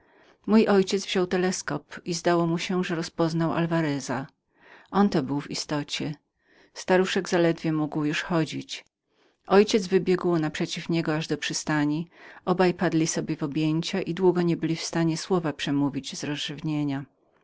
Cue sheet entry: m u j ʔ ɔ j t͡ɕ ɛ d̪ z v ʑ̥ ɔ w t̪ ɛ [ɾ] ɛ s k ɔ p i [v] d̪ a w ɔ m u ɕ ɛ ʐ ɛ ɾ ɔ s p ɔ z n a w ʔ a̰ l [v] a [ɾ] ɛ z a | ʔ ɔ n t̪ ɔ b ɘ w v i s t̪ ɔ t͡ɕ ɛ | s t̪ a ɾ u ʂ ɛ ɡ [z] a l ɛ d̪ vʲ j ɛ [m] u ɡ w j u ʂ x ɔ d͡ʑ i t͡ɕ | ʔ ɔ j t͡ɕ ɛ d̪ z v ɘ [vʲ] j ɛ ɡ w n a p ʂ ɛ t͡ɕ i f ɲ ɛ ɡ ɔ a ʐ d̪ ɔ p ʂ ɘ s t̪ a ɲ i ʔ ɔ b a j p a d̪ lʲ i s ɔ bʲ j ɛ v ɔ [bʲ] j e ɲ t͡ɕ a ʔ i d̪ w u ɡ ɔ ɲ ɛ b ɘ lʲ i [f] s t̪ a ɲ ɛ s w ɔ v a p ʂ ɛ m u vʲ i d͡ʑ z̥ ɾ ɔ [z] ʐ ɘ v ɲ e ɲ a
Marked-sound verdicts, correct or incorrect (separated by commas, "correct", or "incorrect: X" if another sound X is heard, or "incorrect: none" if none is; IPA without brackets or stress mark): incorrect: l, incorrect: z, correct, correct, correct, correct, incorrect: bʲ, correct, correct, correct